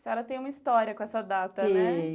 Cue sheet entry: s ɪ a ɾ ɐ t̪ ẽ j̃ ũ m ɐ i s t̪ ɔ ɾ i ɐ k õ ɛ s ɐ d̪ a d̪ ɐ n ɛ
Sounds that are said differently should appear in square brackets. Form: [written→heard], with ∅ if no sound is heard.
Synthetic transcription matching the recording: s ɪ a ɾ ɐ t̪ ẽ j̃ ũ m ɐ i s t̪ ɔ ɾ i ɐ k õ ɛ s ɐ d̪ a [d̪→t̪] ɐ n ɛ